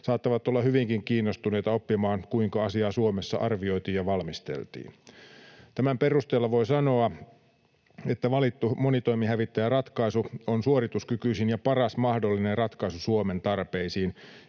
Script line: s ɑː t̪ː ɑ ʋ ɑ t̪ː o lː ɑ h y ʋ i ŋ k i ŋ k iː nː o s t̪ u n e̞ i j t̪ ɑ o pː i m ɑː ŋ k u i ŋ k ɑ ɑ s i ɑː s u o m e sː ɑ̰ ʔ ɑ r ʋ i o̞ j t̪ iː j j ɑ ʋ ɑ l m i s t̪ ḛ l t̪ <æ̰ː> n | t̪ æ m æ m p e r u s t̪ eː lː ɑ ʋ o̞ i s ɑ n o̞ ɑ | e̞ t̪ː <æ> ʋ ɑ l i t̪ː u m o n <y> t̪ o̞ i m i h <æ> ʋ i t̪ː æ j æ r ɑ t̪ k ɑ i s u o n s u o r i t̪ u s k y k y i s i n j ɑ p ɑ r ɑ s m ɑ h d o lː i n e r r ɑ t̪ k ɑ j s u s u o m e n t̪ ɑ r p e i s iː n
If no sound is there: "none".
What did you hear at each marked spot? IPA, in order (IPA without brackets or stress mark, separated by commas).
ḭː, æ, i, æ